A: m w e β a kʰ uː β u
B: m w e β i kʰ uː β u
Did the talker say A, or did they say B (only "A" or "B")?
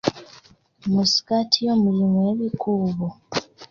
B